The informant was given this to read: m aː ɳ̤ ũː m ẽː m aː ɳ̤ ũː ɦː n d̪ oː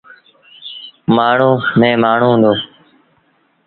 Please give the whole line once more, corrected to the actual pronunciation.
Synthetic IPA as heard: m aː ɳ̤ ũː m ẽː m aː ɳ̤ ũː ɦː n d̪ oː

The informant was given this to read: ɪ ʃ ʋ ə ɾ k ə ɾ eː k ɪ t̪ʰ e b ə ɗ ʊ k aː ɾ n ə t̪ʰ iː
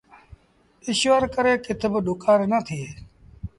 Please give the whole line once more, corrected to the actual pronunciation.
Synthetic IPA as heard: ɪ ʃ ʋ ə ɾ k ə ɾ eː k ɪ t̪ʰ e b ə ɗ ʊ k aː ɾ n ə t̪ʰ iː

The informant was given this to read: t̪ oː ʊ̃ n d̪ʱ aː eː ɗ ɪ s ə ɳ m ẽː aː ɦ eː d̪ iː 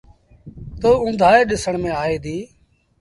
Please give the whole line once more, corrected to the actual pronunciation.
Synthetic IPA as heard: t̪ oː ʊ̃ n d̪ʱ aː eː ɗ ɪ s ə ɳ m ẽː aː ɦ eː d̪ iː

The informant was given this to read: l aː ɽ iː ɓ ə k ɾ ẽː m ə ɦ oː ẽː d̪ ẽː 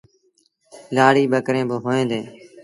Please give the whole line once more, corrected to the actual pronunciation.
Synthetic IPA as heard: l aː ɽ iː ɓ ə k ɾ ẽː b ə ɦ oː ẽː d̪ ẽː

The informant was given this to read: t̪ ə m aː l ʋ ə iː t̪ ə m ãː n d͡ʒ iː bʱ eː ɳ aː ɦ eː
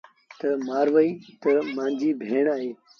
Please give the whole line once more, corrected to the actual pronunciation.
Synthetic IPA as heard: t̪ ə m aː ɾ ʋ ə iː t̪ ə m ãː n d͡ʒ iː bʱ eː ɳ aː ɦ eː

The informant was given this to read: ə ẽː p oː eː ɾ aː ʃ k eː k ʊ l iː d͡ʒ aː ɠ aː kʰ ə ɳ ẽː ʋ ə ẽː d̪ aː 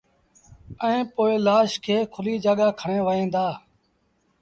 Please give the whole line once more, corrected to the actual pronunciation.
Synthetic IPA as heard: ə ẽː p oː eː l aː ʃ kʰ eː kʰ ʊ l iː d͡ʒ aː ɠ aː kʰ ə ɳ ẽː ʋ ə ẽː d̪ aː

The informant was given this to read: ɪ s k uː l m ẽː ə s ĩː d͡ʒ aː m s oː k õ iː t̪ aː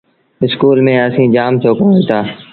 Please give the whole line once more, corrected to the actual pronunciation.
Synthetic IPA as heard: ɪ s k uː l m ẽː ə s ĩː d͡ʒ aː m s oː k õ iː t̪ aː

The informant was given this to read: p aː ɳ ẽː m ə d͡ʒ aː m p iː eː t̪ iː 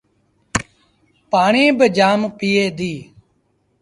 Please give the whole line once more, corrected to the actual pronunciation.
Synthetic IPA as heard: p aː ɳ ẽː b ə d͡ʒ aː m p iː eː d̪ iː

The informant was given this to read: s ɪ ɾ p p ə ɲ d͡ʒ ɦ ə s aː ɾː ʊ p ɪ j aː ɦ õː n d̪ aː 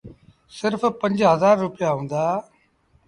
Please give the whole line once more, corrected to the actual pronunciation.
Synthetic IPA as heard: s ɪ ɾ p p ə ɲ d͡ʒ ɦ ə z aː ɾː ʊ p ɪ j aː ɦ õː n d̪ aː

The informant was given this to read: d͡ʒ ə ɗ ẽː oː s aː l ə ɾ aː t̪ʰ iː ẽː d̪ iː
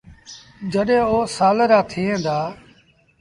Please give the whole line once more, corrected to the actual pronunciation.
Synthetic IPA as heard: d͡ʒ ə ɗ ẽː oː s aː l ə ɾ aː t̪ʰ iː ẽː d̪ aː

